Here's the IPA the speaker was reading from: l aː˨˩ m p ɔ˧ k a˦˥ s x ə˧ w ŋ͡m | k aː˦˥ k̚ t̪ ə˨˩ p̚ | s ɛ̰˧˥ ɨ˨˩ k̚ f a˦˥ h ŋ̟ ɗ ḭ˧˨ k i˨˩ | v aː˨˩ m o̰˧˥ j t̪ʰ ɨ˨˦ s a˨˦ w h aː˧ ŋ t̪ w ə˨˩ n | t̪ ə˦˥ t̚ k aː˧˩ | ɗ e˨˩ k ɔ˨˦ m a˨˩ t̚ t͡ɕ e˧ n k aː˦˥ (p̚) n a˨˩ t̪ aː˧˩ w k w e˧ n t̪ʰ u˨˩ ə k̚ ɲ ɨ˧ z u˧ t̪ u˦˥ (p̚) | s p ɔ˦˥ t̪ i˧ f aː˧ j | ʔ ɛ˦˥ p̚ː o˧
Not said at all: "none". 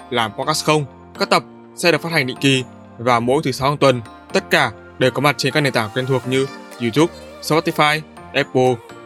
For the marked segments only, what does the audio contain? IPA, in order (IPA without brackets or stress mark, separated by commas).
k̚, p̚